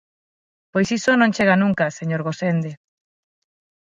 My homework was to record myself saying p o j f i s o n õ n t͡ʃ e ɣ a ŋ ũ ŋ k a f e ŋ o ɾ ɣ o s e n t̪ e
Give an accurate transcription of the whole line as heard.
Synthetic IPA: p o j s i s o n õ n t͡ʃ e ɣ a n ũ ŋ k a s e ɲ o ɾ ɣ o s e n d̪ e